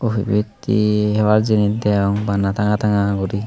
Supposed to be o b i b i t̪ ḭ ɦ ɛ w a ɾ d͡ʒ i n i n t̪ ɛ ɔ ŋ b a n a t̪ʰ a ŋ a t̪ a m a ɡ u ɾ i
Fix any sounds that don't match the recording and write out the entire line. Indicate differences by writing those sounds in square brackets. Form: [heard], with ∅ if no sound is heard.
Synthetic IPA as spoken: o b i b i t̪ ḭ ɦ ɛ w a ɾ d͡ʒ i n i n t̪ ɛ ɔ ŋ b a n a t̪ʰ a ŋ a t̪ a [ŋ] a ɡ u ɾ i